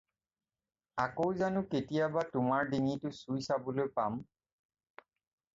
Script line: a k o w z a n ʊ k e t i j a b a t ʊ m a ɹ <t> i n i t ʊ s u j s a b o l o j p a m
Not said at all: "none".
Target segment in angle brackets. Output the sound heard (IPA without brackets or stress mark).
d